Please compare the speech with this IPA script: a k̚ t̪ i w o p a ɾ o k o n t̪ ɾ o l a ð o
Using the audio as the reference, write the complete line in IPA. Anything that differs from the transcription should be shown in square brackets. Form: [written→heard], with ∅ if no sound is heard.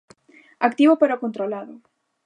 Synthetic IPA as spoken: a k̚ t̪ i [w→β] o p [a→e] ɾ o k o n t̪ ɾ o l a ð o